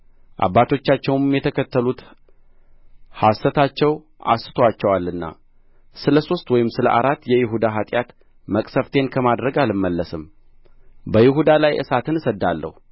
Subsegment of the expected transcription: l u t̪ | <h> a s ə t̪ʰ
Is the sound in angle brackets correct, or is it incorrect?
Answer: correct